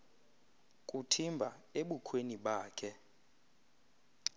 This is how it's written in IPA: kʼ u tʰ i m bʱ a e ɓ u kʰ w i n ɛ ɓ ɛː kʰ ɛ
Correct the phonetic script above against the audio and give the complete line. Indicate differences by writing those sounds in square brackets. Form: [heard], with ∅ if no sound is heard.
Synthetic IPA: kʼ u tʰ i m bʱ a e ɓ u kʰ w [e] n [i] ɓ [aː] kʰ ɛ